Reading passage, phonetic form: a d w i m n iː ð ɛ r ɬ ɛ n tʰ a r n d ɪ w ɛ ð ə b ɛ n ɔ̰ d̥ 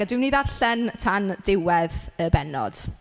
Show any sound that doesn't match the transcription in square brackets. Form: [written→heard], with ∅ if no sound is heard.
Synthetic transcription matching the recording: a d w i m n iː ð [ɛ→a] r ɬ ɛ n tʰ a [r→∅] n d ɪ w ɛ ð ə b ɛ n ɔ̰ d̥